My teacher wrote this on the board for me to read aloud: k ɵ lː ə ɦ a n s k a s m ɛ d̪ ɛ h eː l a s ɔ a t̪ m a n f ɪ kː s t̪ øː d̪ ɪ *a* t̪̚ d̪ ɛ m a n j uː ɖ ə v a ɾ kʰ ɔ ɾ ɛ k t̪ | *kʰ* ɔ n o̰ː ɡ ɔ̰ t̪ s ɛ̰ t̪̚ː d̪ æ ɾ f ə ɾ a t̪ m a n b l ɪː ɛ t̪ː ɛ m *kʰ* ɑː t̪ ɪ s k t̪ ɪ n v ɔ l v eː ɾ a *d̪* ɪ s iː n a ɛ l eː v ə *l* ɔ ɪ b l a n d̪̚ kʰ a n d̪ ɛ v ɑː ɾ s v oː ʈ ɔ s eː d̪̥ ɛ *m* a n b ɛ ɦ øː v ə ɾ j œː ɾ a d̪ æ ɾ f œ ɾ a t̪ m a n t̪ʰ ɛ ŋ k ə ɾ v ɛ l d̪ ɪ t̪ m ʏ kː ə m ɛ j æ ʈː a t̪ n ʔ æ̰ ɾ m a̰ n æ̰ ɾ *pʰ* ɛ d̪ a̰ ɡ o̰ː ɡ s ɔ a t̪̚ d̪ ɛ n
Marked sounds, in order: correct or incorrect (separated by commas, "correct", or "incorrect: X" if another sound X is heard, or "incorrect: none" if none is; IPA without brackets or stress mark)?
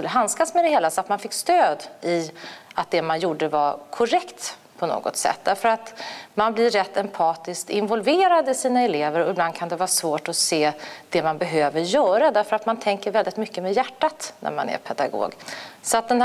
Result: correct, incorrect: pʰ, incorrect: pʰ, correct, incorrect: ɾ, correct, correct